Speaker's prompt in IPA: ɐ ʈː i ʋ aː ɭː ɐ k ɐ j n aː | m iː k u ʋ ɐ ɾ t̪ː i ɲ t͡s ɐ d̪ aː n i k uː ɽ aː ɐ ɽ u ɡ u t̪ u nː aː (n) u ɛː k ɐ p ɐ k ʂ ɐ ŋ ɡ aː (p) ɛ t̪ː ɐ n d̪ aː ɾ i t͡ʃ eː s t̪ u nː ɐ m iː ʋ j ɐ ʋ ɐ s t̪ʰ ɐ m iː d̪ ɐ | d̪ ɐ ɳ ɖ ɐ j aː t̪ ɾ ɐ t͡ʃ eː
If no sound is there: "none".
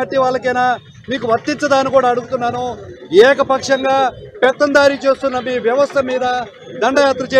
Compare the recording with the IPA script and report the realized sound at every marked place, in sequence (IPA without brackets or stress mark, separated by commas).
n, p